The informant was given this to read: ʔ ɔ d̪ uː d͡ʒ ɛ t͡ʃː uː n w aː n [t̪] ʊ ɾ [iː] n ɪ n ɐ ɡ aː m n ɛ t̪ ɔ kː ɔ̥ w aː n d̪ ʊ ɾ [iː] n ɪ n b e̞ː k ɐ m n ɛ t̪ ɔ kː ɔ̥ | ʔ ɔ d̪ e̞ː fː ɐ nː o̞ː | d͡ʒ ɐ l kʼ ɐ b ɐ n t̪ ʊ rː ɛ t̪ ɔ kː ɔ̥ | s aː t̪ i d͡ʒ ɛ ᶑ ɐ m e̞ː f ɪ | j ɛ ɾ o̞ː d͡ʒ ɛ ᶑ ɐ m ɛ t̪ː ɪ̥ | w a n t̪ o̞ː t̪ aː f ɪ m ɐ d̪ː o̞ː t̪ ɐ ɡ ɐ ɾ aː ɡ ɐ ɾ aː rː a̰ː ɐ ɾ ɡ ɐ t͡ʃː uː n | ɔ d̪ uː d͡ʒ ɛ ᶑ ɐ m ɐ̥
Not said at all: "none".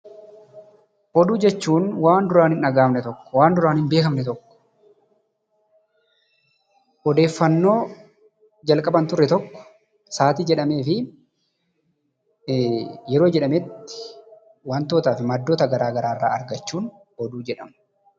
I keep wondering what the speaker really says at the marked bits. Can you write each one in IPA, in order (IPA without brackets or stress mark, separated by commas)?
d̪, aː, aː